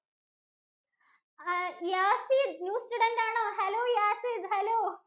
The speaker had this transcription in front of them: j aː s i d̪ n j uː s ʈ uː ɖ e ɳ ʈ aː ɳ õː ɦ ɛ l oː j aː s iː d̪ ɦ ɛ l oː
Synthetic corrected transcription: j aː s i d̪ n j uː s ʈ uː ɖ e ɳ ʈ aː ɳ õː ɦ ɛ l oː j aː s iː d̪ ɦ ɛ l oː

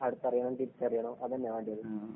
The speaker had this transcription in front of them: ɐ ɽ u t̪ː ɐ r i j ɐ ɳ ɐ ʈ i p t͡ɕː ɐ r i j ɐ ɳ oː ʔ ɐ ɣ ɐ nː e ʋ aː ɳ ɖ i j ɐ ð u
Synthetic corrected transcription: ɐ ɽ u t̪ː ɐ r i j ɐ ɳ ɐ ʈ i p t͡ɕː ɐ r i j ɐ ɳ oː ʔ ɐ ð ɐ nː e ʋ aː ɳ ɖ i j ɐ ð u

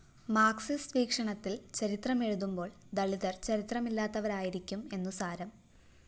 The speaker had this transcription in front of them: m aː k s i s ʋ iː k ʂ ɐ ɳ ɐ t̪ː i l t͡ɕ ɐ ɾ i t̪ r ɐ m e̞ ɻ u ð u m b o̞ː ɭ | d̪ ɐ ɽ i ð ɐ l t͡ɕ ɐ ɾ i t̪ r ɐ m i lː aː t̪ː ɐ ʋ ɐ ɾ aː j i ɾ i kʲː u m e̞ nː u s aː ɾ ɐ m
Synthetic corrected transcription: m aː k s i s ʋ iː k ʂ ɐ ɳ ɐ t̪ː i l t͡ɕ ɐ ɾ i t̪ r ɐ m e̞ ɻ u ð u m b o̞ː ɭ | d̪ ɐ ɭ i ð ɐ r t͡ɕ ɐ ɾ i t̪ r ɐ m i lː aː t̪ː ɐ ʋ ɐ ɾ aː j i ɾ i kʲː u m e̞ nː u s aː ɾ ɐ m

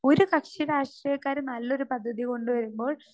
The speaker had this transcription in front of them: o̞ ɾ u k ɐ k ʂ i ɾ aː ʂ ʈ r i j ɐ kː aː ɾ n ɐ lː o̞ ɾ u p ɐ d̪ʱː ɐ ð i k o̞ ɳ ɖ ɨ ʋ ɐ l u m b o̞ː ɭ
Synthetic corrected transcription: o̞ ɾ u k ɐ k ʂ i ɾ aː ʂ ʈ r i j ɐ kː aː ɾ n ɐ lː o̞ ɾ u p ɐ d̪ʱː ɐ ð i k o̞ ɳ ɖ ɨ ʋ ɐ ɾ u m b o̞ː ɭ

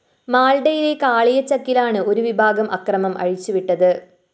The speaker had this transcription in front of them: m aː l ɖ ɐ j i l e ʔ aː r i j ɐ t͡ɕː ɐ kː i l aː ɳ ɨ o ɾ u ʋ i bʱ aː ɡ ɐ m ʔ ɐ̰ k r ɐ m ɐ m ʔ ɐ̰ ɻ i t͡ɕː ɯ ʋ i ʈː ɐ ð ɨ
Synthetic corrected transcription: m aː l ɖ ɐ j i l e k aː ɭ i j ɐ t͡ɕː ɐ kː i l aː ɳ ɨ o ɾ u ʋ i bʱ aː ɡ ɐ m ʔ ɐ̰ k r ɐ m ɐ m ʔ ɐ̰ ɻ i t͡ɕː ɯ ʋ i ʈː ɐ ð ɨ

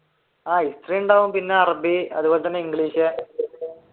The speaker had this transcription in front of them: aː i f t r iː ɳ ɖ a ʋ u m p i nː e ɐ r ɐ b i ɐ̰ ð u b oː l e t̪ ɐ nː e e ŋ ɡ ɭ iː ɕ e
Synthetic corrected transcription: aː i s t r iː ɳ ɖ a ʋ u m p i nː e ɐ r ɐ b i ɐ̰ ð u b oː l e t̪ ɐ nː e i ŋ ɡ ɭ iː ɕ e

